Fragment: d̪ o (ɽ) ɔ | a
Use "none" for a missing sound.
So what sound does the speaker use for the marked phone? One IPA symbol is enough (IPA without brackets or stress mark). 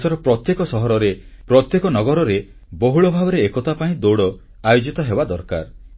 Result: ɽ